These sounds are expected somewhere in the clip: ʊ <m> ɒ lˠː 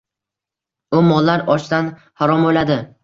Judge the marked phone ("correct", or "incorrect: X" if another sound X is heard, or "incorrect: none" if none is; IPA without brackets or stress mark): correct